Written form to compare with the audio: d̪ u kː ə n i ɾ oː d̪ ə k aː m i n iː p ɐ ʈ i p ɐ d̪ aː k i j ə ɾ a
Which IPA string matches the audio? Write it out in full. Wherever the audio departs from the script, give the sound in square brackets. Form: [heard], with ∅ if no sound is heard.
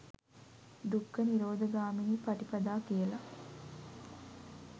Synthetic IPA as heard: d̪ u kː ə n i ɾ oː d̪ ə [ɡ] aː m i n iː p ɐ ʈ i p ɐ d̪ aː k i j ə [l] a